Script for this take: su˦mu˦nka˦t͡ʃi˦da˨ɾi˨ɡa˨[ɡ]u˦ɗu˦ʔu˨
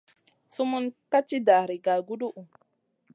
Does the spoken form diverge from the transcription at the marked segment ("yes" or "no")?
no